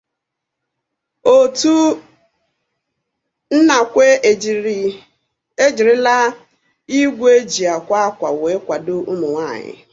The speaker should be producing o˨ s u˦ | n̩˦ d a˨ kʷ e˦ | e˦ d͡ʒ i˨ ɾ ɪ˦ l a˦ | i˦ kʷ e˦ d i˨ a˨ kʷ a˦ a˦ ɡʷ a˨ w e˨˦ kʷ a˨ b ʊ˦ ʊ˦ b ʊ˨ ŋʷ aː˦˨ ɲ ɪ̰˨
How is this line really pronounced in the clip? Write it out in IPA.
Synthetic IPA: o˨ t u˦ | n̩˦ n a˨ kʷ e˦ | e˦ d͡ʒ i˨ ɾ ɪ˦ l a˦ | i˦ ɡʷ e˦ d͡ʒ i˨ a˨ kʷ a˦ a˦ kʷ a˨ w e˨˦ kʷ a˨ d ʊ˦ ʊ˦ m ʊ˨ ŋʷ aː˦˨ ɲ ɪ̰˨